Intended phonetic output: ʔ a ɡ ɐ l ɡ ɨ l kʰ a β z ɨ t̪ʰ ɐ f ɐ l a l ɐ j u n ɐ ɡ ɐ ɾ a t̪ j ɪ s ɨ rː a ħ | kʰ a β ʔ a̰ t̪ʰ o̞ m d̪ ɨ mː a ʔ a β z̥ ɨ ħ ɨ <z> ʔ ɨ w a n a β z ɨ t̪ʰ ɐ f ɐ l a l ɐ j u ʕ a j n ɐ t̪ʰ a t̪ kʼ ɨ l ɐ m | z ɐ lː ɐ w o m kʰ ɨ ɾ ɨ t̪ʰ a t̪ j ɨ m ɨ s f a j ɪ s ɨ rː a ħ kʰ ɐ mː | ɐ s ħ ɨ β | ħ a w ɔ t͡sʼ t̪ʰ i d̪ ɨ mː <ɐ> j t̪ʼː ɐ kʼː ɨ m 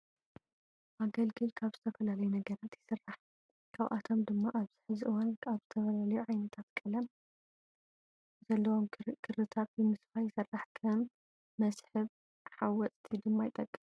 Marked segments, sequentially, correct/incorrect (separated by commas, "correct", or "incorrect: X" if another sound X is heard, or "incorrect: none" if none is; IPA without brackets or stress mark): correct, incorrect: a